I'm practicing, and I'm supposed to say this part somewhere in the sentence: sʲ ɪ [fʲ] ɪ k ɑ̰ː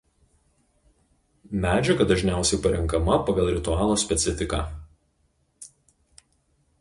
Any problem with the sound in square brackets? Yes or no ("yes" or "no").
no